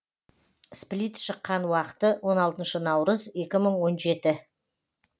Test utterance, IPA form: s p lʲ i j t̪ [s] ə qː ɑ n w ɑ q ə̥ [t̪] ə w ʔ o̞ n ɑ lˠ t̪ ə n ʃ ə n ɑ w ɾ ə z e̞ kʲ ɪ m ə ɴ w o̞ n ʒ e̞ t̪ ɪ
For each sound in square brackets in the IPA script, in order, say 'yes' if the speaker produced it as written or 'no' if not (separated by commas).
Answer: no, yes